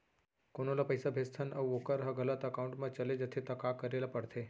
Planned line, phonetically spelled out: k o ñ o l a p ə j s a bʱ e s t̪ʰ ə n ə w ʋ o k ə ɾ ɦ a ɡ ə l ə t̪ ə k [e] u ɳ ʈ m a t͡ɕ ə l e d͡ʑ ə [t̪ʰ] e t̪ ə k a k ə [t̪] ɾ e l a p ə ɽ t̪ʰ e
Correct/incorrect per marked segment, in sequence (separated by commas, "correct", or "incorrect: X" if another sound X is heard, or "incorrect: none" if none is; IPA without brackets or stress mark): incorrect: a, correct, incorrect: none